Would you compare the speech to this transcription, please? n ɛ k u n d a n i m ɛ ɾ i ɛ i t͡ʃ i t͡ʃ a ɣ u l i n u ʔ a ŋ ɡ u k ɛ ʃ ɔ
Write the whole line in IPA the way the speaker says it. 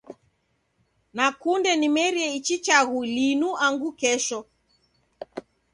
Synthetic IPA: n a k u n d ɛ n i m ɛ ɾ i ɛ i t͡ʃ i t͡ʃ a ɣ u l i n u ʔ a ŋ ɡ u k ɛ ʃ ɔ